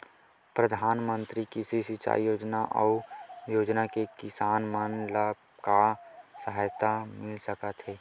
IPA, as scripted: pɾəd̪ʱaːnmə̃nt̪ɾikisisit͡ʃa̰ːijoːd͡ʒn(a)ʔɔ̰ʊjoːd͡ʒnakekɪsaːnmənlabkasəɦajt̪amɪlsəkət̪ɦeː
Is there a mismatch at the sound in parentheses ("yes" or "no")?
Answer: no